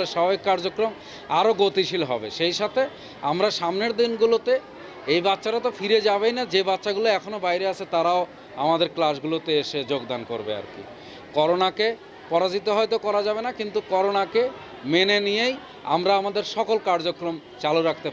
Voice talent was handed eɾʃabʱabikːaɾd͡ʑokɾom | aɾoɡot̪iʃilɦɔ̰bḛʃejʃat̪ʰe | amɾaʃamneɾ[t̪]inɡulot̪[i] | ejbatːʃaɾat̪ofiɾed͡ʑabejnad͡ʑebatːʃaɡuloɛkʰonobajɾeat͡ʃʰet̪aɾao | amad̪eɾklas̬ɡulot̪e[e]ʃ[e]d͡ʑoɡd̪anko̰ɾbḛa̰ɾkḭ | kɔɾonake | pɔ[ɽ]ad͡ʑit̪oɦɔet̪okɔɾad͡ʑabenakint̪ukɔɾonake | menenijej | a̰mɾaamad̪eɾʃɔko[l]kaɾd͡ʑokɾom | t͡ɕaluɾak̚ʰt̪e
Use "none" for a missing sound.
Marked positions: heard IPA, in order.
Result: d̪, e, e, e, ɾ, l

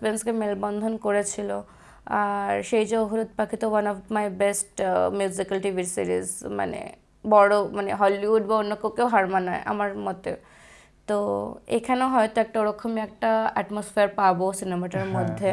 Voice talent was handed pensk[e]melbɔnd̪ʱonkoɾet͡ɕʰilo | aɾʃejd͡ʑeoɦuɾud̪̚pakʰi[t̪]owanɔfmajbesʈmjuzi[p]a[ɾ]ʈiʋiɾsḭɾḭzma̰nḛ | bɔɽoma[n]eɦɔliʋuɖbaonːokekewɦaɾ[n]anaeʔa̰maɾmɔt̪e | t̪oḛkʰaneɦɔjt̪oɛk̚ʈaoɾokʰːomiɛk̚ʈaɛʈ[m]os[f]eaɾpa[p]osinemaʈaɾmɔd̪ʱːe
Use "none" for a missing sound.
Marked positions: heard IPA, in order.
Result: e, t̪, k, l, n, m, m, f, b

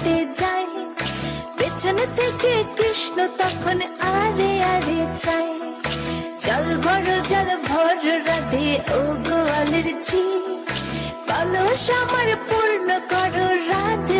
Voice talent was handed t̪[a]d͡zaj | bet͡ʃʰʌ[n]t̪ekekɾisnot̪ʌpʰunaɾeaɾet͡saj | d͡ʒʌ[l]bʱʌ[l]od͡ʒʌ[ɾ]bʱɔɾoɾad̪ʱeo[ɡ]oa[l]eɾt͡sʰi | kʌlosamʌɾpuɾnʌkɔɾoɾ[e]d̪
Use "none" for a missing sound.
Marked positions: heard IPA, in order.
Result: e, n, l, ɾ, l, ɡ, l, a

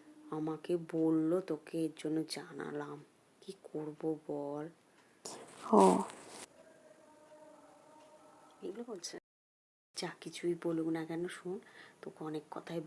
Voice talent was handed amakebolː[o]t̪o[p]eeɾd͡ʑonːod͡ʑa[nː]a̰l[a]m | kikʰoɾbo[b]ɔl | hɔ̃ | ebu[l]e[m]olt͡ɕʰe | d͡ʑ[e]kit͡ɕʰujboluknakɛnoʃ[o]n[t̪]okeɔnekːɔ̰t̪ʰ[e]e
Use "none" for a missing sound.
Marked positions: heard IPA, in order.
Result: o, k, n, a, b, l, b, a, u, t̪, a

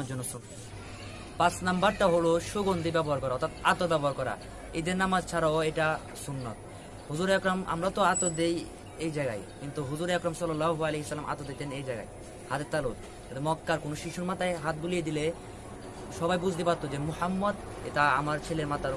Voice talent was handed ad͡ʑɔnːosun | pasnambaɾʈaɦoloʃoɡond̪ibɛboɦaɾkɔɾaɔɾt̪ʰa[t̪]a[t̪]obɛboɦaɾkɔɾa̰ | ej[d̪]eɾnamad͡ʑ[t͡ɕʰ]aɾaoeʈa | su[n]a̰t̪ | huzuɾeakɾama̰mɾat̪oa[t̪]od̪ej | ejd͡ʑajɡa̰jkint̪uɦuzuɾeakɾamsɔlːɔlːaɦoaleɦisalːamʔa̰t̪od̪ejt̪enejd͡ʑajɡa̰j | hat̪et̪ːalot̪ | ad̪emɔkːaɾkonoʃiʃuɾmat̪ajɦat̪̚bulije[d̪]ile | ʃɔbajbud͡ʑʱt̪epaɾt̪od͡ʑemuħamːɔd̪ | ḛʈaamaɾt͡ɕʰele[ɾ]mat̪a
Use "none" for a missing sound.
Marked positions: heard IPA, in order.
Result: t̪, t̪, d̪, t͡ɕʰ, nː, t̪, d̪, ɾ

